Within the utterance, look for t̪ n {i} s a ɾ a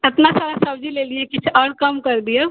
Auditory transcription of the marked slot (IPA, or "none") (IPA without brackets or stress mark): a